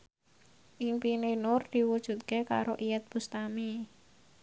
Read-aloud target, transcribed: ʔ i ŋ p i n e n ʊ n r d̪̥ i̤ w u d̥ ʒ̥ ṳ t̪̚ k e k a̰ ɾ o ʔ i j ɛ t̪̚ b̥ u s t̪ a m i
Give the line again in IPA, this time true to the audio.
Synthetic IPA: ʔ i ŋ p i n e n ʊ r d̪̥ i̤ w u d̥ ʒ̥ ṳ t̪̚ k e k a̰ ɾ o ʔ i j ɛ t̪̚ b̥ u s t̪ a m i